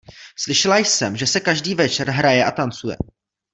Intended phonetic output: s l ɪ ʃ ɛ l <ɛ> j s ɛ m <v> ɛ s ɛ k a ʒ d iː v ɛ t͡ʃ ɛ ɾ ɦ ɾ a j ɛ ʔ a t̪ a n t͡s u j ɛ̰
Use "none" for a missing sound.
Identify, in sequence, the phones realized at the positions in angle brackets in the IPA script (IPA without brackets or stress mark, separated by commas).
a, ʒ